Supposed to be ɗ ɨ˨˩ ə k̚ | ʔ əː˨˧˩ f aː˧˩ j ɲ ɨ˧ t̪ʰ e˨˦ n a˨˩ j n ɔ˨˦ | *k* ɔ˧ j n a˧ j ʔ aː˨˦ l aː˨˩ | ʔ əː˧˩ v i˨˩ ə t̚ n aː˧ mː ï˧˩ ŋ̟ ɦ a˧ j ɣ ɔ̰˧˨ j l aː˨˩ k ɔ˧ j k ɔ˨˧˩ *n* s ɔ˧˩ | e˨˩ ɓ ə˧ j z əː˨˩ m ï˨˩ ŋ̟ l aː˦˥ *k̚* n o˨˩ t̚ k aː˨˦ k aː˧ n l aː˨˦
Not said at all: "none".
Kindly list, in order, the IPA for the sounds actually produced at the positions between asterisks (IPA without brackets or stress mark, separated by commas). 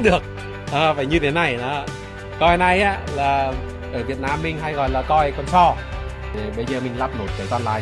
k, n, p̚